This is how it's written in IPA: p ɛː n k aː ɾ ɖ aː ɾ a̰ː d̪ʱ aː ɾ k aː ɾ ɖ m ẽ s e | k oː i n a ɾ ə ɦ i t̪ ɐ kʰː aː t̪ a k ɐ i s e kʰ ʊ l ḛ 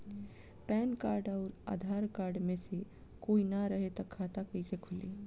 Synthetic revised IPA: p ɛː n k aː ɾ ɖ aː ɾ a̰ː d̪ʱ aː ɾ k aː ɾ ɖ m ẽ s e | k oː i n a ɾ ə ɦ e t̪ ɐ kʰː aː t̪ a k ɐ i s e kʰ ʊ l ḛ